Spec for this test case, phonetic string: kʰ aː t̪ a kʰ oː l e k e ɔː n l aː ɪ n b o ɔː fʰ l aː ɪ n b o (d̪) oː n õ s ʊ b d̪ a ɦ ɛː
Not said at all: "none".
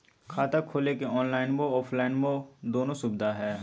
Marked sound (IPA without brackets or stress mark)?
d̪